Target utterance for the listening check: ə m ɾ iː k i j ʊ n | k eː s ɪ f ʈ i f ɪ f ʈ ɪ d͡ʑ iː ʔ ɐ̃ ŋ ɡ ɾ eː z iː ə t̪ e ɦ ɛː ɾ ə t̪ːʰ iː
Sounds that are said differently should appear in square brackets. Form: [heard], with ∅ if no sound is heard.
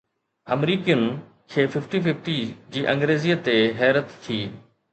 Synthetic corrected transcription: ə m ɾ iː k i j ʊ n | [kʰ] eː [f] ɪ f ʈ i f ɪ f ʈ [i] d͡ʑ iː ʔ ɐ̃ ŋ ɡ ɾ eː z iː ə t̪ e ɦ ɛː ɾ ə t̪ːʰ iː